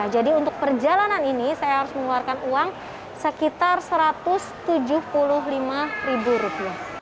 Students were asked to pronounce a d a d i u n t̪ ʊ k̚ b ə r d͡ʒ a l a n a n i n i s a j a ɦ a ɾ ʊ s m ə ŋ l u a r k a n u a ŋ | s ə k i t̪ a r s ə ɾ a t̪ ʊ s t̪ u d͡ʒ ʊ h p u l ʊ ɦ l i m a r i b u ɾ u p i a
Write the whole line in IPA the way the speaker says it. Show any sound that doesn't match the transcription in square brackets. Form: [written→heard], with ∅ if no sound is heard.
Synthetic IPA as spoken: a [d→d͡ʒ] a d i u n t̪ ʊ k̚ [b→p] ə r d͡ʒ a l a n a n i n i s a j a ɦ a ɾ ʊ s m ə ŋ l u a r k a n u a ŋ | s ə k i t̪ a r s ə ɾ a t̪ ʊ s t̪ u d͡ʒ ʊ h p u l ʊ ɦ l i m a r i b u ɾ u p i a

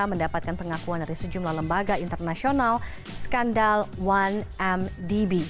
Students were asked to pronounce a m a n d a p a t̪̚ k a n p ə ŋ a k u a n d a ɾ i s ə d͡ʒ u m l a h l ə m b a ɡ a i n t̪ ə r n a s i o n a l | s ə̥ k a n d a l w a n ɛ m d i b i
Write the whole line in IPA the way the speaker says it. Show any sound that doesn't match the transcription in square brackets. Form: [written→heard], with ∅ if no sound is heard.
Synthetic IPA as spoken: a m [a→ə] n d a p a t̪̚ k a n p ə ŋ a k u a n d a ɾ i s ə d͡ʒ u m l a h l ə m b a ɡ a i n t̪ ə r n a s i o n a l | s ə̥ k a n d a l w a n ɛ m d i b i

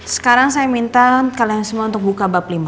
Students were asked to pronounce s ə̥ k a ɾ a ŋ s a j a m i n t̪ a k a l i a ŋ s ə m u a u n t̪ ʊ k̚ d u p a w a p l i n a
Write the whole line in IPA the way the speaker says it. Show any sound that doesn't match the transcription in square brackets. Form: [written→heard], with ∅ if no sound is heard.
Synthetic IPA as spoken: s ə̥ k a ɾ a ŋ s a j a m i n t̪ a k a l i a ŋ s ə m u a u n t̪ ʊ k̚ [d→b] u [p→k] a [w→b] a p l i [n→m] a

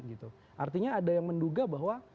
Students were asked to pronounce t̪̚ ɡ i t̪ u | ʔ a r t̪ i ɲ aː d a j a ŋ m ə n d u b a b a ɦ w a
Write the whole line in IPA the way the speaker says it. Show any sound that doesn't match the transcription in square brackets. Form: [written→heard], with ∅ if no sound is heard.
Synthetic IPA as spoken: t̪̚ ɡ i t̪ u | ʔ a r t̪ i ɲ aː d a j a ŋ m ə n d u [b→ɡ] a b a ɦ w a

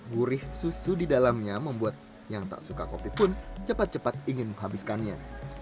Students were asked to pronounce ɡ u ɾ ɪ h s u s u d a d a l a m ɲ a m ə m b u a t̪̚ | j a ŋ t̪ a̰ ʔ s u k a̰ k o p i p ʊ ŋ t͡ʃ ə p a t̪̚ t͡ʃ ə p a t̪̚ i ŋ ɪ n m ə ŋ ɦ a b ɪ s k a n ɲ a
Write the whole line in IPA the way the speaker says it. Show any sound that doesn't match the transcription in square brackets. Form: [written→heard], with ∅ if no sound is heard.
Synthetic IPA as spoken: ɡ u ɾ ɪ h s u s u d [a→i] d a l a m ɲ a m ə m b u a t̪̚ | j a ŋ t̪ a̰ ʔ s u k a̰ k o p i p ʊ [ŋ→n] t͡ʃ ə p a t̪̚ t͡ʃ ə p a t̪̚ i ŋ ɪ n m ə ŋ ɦ a b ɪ s k a n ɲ a

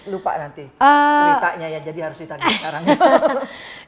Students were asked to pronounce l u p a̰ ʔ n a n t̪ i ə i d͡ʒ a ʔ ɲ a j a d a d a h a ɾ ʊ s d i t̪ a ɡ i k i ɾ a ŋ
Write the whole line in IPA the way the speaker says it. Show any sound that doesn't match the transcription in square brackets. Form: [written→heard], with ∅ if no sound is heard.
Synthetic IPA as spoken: l u p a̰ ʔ n a n t̪ i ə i [d͡ʒ→∅] a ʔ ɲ a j a [d→d͡ʒ] a d [a→i] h a ɾ ʊ s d i t̪ a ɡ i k [i→a] ɾ a ŋ

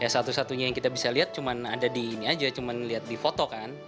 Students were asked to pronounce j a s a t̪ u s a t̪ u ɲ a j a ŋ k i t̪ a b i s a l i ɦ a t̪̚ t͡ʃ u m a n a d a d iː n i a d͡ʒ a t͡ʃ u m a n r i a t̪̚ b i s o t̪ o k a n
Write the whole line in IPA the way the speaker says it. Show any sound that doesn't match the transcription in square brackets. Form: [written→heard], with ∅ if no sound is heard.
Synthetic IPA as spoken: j a s a t̪ u s a t̪ u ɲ a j a ŋ k i t̪ a b i s a l i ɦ a t̪̚ t͡ʃ u m a n a d a d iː n i a d͡ʒ a t͡ʃ u m a n [r→l] i a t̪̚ [b→d] i [s→f] o t̪ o k a n

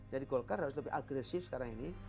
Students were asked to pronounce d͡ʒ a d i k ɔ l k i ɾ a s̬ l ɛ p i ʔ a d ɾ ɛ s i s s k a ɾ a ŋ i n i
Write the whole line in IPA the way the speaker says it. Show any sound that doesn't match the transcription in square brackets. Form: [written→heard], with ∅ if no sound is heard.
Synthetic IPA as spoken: d͡ʒ a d i k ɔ l k [i→a] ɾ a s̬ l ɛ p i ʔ a [d→ɡ] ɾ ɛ s i [s→f] s k a ɾ a ŋ i n i

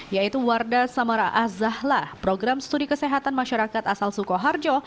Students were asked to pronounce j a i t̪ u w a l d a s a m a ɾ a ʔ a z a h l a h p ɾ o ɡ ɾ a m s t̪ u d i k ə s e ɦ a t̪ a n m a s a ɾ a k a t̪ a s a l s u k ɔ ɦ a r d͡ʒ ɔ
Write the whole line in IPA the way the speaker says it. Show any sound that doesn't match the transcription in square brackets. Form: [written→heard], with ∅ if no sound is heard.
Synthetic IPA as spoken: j a i t̪ u w a [l→r] d a s a m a ɾ a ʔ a z a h l a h p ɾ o ɡ ɾ a m s t̪ u d i k ə s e ɦ a t̪ a n m a [s→ʃ] a ɾ a k a t̪ a s a l s u k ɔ ɦ a r d͡ʒ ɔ

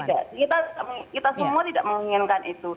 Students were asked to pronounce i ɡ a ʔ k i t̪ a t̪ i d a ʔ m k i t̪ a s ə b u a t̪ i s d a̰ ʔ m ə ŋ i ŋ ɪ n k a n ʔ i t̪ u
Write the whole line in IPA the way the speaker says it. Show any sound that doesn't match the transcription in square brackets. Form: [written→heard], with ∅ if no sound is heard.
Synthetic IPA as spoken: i [ɡ→d] a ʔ k i t̪ a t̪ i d a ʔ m k i t̪ a s ə [b→m] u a t̪ i [s→∅] d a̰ ʔ m ə ŋ i ŋ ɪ n k a n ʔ i t̪ u

